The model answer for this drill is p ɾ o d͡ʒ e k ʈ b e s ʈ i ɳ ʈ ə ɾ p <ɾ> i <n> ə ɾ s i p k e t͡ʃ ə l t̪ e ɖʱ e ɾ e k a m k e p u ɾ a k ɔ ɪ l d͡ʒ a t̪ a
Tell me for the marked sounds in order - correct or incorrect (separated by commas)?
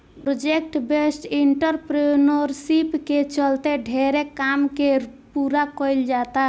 correct, correct